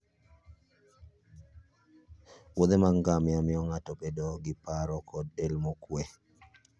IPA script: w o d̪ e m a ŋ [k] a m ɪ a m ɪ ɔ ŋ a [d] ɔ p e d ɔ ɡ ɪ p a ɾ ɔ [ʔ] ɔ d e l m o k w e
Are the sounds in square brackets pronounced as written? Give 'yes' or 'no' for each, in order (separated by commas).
no, no, no